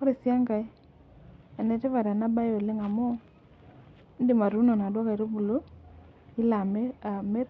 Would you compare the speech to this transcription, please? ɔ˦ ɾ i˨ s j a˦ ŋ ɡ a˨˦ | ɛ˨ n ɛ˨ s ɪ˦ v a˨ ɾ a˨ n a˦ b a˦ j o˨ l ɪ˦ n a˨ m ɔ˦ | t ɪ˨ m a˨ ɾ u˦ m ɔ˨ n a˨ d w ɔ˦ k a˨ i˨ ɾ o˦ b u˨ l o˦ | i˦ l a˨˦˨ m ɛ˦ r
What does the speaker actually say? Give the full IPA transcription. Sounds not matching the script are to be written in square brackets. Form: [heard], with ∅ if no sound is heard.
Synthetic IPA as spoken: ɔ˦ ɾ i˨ s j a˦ ŋ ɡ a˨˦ | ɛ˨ n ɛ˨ [t] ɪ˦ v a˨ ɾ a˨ n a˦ b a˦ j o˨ l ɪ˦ [ŋ] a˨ m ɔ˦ | [d] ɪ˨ m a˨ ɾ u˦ [n] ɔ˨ n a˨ d w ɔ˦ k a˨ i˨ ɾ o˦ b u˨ l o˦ | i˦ l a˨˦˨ m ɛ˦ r